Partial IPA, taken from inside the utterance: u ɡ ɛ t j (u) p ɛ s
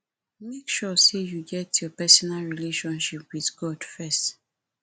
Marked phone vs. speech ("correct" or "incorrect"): incorrect